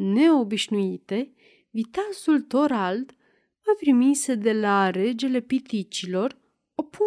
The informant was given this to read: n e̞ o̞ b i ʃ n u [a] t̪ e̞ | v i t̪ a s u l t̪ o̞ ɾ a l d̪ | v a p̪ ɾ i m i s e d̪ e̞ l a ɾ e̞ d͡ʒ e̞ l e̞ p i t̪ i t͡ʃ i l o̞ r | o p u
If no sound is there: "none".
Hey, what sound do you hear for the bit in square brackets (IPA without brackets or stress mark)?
i